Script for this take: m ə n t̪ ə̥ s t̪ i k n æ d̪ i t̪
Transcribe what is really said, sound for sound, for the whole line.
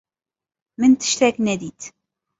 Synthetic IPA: m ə n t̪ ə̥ ʃ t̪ æ k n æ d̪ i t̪